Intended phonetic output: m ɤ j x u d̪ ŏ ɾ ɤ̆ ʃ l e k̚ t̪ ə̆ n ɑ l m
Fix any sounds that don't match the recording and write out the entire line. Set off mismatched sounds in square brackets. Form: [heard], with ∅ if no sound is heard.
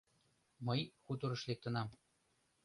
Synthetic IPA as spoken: m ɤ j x u [t̪] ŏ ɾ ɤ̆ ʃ l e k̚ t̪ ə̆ n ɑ [∅] m